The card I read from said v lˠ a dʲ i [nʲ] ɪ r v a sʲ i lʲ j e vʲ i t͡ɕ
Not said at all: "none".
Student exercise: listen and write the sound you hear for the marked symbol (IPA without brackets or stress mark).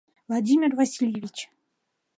mʲ